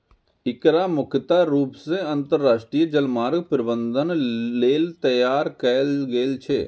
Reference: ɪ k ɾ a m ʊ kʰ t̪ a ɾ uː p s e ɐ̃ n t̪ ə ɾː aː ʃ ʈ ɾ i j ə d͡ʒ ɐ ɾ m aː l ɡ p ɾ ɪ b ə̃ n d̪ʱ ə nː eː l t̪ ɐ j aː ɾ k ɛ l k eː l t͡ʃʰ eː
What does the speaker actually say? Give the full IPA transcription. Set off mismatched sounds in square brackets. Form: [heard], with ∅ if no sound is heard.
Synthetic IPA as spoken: ɪ k ɾ a m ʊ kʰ t̪ a ɾ uː p s e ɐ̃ n t̪ ə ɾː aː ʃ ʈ ɾ i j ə d͡ʒ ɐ [l] m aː [ɾ] ɡ p ɾ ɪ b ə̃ n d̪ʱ ə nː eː l t̪ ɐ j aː ɾ k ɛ l [ɡ] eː l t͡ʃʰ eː